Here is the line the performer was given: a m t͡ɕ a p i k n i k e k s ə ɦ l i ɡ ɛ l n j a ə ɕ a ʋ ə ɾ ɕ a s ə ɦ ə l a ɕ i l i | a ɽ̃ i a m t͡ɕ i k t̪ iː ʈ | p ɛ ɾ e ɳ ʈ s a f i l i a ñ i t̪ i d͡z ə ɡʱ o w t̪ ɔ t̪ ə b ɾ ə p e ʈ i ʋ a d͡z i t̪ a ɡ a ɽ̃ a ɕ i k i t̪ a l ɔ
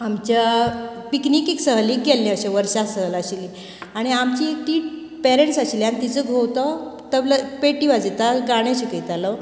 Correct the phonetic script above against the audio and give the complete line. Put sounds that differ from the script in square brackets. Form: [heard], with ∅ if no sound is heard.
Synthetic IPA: a m t͡ɕ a p i k n i k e k s ə ɦ l i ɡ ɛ l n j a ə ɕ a ʋ ə ɾ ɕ a s ə ɦ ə l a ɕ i l i | a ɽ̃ i a m t͡ɕ i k t̪ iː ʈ | p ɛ ɾ e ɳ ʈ s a [ɕ] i l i a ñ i t̪ i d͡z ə ɡʱ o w t̪ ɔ t̪ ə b [l] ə p e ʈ i ʋ a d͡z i t̪ a ɡ a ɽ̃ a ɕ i k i t̪ a l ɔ

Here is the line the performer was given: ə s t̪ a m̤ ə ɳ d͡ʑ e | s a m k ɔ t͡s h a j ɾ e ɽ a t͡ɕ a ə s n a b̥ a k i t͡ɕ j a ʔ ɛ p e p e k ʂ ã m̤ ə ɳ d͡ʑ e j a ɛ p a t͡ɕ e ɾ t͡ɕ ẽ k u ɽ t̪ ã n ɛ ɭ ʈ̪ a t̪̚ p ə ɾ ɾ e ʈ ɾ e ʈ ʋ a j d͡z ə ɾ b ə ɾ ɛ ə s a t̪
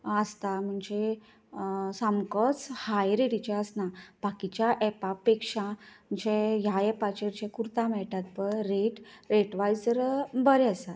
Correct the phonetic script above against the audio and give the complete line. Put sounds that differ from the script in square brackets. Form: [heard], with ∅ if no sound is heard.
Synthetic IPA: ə s t̪ a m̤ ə ɳ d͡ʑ e | s a m k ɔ t͡s h a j ɾ e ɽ [i] t͡ɕ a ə s n a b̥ a k i t͡ɕ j a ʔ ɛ p [a] p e k ʂ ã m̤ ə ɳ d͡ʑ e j a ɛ p a t͡ɕ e ɾ t͡ɕ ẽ k u [ɾ] t̪ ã [m] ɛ ɭ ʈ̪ a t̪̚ p ə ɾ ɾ e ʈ ɾ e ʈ ʋ a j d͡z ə ɾ b ə ɾ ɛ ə s a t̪

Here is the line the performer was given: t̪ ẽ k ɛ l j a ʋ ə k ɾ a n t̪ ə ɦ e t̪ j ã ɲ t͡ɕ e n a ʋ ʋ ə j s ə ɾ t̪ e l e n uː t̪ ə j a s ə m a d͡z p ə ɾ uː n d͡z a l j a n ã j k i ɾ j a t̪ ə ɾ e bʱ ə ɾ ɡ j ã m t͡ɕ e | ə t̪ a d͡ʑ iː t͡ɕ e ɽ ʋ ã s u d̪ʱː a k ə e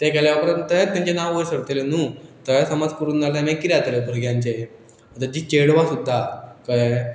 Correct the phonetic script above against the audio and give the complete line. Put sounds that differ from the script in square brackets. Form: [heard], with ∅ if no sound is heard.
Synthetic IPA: t̪ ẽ k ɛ l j a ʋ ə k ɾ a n t̪ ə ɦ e t̪ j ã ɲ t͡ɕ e n a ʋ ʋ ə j s ə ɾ t̪ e l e n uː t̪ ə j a s ə m a d͡z [k] ə ɾ uː n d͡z a l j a n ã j k i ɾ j a t̪ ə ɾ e bʱ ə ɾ ɡ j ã [ɲ] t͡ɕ e | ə t̪ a d͡ʑ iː t͡ɕ e ɽ ʋ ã s u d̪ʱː a k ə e

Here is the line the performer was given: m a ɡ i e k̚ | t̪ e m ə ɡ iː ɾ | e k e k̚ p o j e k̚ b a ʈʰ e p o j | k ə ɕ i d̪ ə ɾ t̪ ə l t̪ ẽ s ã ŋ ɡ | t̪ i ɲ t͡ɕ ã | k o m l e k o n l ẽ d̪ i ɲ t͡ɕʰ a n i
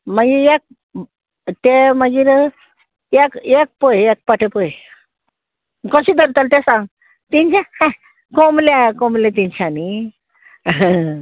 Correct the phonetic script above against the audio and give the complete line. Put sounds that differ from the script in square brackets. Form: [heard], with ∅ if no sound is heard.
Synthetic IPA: m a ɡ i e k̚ | t̪ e m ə ɡ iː ɾ | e k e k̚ p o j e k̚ [p] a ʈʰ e p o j | k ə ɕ i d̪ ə ɾ t̪ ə l t̪ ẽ s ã ŋ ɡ | t̪ i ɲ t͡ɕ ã | k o m l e k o [m] l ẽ [t̪] i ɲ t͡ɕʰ a n i

